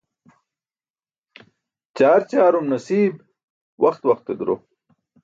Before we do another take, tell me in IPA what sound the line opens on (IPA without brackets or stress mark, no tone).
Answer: t͡ɕ